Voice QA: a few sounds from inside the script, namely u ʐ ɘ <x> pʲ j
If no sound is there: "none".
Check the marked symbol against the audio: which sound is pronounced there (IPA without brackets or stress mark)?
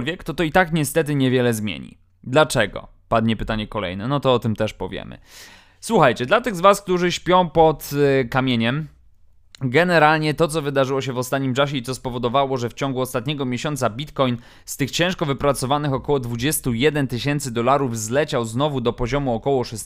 ɕ